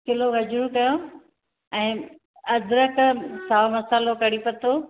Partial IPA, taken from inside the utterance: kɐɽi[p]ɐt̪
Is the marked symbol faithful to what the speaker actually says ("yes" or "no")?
yes